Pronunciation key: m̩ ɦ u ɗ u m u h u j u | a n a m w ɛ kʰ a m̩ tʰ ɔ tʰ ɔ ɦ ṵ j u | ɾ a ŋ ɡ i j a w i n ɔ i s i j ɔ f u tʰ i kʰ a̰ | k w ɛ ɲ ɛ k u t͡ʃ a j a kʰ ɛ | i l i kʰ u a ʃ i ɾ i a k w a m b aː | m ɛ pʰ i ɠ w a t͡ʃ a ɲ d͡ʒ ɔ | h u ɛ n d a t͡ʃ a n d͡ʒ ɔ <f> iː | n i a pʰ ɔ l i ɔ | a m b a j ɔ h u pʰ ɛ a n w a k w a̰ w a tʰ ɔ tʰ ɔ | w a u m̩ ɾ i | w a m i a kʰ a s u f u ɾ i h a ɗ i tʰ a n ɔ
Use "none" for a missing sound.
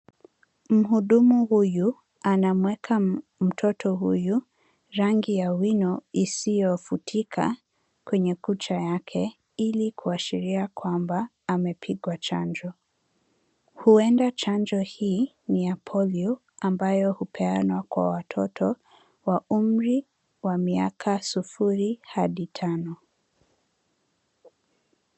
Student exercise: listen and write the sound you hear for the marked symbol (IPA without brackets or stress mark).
h